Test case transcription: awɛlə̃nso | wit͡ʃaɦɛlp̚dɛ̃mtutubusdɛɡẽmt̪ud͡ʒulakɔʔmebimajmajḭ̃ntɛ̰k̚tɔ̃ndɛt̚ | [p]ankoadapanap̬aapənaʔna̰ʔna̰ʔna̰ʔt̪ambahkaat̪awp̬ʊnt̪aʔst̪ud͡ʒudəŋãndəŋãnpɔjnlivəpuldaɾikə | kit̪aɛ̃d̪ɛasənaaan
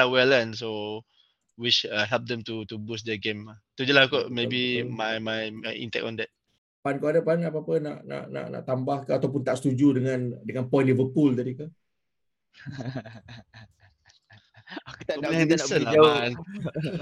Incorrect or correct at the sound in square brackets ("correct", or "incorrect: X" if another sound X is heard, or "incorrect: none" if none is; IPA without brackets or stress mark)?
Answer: correct